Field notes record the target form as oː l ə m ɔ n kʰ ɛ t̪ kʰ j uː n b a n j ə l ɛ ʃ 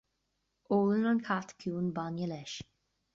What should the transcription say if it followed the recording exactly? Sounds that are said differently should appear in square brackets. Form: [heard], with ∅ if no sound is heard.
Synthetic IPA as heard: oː l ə [n] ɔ n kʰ [a] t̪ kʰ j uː n b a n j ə l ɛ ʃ